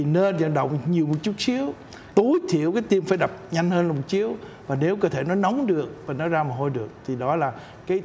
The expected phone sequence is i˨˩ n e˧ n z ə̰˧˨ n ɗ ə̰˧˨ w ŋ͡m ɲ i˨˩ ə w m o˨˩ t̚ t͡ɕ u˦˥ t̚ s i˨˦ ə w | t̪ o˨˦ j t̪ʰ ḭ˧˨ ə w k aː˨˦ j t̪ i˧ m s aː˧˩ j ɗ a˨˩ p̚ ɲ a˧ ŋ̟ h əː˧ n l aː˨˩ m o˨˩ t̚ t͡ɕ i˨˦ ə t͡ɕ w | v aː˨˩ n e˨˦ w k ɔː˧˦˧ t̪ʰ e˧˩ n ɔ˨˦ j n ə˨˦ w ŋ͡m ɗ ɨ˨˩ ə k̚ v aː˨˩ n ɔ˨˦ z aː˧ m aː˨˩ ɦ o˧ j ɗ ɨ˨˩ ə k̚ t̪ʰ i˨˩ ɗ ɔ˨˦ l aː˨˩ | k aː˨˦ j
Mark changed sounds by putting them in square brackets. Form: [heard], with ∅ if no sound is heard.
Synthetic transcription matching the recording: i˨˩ n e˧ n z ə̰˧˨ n ɗ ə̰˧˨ w ŋ͡m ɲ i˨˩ ə w m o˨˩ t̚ t͡ɕ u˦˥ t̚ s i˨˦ ə w | t̪ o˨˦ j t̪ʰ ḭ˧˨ ə w k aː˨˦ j t̪ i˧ m [f] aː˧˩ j ɗ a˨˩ p̚ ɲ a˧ ŋ̟ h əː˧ n l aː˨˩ m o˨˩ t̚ t͡ɕ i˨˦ ə [∅] w | v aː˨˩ n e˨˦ w k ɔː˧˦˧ t̪ʰ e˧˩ n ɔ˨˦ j n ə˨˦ w ŋ͡m ɗ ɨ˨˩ ə k̚ v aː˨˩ n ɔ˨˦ z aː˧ m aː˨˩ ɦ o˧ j ɗ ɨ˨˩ ə k̚ t̪ʰ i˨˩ ɗ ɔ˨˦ l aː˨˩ | k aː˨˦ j

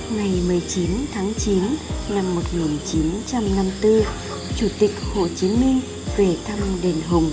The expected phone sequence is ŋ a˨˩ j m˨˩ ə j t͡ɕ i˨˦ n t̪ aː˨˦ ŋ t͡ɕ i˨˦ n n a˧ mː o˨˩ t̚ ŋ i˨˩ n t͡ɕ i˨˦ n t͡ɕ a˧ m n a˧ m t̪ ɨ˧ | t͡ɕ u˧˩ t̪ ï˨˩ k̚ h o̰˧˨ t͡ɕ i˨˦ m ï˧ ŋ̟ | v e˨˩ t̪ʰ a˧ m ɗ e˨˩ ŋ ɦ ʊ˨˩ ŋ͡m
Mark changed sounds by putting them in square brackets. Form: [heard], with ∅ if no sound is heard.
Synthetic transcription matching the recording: ŋ a˨˩ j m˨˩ ə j t͡ɕ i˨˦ n [t̪ʰ] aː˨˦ ŋ t͡ɕ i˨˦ n n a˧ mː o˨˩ t̚ ŋ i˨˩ n t͡ɕ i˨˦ n t͡ɕ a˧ m n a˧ m t̪ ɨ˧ | t͡ɕ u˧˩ t̪ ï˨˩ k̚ h o̰˧˨ t͡ɕ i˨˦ m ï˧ ŋ̟ | v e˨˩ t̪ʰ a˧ m ɗ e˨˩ [n] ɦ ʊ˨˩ ŋ͡m

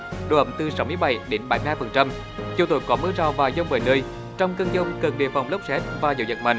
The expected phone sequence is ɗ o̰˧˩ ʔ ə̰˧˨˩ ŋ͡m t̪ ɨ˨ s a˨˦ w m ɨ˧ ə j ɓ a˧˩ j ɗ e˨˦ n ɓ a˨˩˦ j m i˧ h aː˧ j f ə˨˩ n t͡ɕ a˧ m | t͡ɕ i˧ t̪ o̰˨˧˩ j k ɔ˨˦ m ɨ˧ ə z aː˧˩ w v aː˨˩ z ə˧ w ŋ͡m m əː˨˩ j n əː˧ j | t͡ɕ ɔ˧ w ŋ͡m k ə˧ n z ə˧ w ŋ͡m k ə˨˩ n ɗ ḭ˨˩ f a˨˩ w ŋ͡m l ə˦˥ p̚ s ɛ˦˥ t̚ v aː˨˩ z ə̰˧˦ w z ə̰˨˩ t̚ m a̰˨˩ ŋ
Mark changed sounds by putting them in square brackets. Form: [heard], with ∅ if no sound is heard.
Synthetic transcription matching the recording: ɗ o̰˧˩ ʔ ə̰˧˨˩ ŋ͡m t̪ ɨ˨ s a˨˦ w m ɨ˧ ə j ɓ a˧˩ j ɗ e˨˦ n ɓ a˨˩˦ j m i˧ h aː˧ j f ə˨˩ n t͡ɕ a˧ m | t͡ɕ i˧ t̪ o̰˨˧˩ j k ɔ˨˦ m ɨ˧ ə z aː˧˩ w v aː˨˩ z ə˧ w ŋ͡m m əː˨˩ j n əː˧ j | t͡ɕ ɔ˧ w ŋ͡m k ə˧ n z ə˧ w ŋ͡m k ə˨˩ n ɗ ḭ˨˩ f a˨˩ w ŋ͡m l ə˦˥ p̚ s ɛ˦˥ t̚ v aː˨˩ z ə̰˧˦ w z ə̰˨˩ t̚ m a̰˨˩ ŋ

